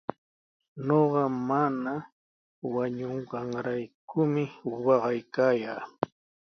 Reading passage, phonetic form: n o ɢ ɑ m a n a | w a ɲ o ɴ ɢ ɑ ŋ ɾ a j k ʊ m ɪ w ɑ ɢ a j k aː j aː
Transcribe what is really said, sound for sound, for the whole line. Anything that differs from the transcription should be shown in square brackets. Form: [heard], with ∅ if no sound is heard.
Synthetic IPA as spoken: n o ɢ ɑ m a n a | w a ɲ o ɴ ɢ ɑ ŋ ɾ a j k ʊ m ɪ w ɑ ɢ [ɑ] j k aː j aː